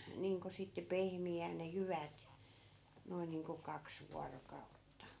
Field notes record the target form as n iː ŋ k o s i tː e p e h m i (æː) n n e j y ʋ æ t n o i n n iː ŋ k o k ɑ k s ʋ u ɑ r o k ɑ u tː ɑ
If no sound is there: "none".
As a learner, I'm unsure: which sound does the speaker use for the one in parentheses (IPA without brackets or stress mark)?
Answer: æː